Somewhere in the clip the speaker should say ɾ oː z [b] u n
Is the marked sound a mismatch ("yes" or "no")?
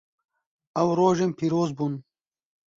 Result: no